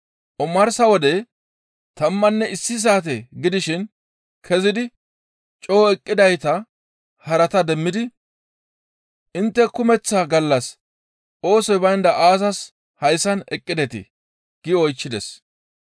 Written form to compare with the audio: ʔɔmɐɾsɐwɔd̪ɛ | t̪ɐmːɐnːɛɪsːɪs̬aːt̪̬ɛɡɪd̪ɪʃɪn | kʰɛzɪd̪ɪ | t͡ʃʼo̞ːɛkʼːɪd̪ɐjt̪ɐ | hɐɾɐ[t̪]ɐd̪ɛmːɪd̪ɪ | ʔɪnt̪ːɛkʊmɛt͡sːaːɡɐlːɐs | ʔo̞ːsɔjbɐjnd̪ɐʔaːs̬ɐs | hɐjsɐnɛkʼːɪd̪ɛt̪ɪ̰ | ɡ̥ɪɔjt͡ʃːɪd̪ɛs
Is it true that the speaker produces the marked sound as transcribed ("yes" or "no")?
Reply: yes